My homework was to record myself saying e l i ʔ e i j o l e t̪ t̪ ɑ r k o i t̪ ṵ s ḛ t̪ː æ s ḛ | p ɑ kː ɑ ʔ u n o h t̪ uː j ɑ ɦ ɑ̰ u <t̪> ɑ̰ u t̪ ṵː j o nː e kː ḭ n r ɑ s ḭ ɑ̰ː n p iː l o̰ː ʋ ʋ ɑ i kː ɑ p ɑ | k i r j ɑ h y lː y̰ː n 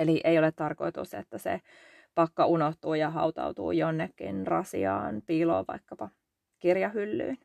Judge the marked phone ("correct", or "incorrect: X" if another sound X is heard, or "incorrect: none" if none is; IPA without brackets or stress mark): correct